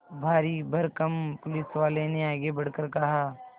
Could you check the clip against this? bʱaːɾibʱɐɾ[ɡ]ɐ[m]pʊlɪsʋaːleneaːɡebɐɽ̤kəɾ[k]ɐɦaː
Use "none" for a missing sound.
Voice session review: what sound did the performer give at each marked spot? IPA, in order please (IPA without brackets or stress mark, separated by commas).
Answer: k, m, k